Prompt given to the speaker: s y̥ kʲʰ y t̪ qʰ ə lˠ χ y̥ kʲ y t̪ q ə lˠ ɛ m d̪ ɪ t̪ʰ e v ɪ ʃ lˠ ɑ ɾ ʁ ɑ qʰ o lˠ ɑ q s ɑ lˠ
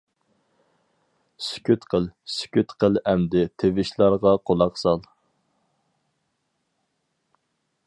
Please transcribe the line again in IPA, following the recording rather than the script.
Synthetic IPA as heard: s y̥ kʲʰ y t̪ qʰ ə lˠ s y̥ kʲ y t̪ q ə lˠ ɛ m d̪ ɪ t̪ʰ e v ɪ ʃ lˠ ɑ ɾ ʁ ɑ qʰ o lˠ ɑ q s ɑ lˠ

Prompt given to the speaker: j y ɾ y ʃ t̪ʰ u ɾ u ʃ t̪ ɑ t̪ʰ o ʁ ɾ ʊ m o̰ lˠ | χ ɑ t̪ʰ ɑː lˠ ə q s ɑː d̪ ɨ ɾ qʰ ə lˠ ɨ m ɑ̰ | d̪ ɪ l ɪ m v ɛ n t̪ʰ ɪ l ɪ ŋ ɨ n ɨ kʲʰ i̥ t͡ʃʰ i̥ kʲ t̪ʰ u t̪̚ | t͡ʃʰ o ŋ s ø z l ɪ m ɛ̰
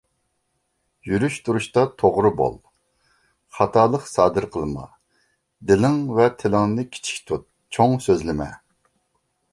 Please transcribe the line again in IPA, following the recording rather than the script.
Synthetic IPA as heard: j y ɾ y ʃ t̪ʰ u ɾ u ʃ t̪ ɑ t̪ʰ o ʁ ɾ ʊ b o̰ lˠ | χ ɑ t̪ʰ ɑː lˠ ə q s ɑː d̪ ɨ ɾ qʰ ə lˠ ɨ m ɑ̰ | d̪ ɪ l ɪ ŋ v ɛ t̪ʰ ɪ l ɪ ŋ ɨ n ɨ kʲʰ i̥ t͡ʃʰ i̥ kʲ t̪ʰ u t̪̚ | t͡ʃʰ o ŋ s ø z l ɪ m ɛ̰

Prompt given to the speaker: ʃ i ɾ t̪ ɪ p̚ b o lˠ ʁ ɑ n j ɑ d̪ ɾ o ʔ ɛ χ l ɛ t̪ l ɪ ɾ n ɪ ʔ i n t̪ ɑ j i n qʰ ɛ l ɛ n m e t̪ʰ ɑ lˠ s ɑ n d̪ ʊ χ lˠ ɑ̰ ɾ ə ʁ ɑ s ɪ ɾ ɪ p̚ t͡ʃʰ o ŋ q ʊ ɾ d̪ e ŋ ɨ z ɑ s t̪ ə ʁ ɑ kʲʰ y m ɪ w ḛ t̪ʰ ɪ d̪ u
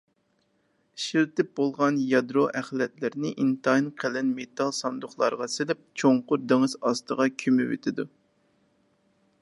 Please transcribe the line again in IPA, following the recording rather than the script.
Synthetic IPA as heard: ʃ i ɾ t̪ ɪ p̚ b o lˠ ʁ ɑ n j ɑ d̪ ɾ o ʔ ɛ χ l ɛ t̪ l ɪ ɾ n ɪ ʔ i n t̪ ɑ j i n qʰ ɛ l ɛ n m e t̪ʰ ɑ lˠ s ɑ n d̪ ʊ χ lˠ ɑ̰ ɾ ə ʁ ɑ s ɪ l ɪ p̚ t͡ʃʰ o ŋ q ʊ ɾ d̪ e ŋ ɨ z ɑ s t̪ ə ʁ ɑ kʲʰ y m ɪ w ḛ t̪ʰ ɪ d̪ u

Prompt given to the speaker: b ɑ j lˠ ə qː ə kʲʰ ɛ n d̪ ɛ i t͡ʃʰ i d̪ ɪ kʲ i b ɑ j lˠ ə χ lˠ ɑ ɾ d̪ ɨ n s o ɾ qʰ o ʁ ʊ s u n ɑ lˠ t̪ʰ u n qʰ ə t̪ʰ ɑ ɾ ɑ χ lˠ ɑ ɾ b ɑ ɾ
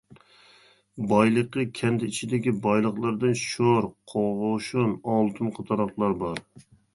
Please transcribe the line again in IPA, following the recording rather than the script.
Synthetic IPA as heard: b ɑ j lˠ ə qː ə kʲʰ ɛ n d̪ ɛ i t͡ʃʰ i d̪ ɪ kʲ i b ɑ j lˠ ə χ lˠ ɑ ɾ d̪ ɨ n ʃ o ɾ qʰ o ʁ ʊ ʃ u n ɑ lˠ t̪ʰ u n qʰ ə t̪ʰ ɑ ɾ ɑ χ lˠ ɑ ɾ b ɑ ɾ

